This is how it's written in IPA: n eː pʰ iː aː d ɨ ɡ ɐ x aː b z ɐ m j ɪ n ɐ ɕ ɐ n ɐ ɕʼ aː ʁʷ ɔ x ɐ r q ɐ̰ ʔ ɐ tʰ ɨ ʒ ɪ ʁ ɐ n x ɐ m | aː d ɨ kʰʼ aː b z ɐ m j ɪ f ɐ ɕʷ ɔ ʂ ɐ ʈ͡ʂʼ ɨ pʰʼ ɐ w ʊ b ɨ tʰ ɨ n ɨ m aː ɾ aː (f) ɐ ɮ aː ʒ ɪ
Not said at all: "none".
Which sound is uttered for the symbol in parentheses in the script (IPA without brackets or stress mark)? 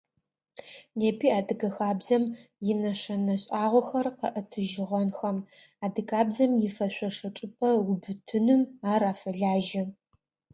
f